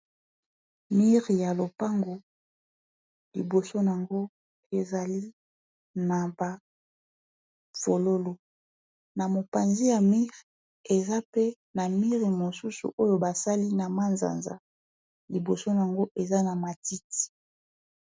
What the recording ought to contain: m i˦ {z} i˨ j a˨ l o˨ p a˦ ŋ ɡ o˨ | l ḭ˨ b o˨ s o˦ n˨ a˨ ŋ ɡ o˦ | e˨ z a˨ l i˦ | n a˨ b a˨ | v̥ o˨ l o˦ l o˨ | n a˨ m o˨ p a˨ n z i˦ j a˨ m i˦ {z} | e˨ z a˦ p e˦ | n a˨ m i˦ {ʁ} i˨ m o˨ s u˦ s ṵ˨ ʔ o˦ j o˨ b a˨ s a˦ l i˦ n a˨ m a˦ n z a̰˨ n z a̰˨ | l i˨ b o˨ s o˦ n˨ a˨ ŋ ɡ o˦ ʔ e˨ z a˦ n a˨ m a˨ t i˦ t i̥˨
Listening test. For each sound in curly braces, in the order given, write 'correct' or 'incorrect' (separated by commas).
incorrect, incorrect, correct